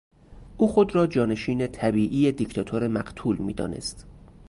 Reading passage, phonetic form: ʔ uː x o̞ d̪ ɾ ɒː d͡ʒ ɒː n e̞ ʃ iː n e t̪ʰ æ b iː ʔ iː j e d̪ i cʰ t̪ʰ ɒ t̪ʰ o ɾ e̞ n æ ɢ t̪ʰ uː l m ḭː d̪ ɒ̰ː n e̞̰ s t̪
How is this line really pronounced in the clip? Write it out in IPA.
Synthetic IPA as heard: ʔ uː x o̞ d̪ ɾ ɒː d͡ʒ ɒː n e̞ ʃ iː n e t̪ʰ æ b iː ʔ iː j e d̪ i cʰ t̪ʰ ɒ t̪ʰ o ɾ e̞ m æ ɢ t̪ʰ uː l m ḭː d̪ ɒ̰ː n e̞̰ s t̪